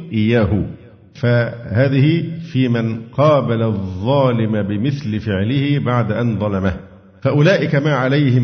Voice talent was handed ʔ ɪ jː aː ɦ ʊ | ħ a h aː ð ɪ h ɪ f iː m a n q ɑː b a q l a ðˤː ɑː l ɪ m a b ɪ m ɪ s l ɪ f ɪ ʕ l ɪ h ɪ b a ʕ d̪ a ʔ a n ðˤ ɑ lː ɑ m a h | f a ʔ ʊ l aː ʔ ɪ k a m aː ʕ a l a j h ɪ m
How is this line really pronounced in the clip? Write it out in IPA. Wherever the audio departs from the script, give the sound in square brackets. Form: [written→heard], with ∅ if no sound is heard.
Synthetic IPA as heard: ʔ ɪ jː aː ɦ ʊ | [ħ→f] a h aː ð ɪ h ɪ f iː m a n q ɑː b a [q→∅] l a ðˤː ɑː l ɪ m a b ɪ m ɪ [s→θ] l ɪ f ɪ ʕ l ɪ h ɪ b a ʕ d̪ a ʔ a n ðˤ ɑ [lː→l] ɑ m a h | f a ʔ ʊ l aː ʔ ɪ k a m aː ʕ a l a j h ɪ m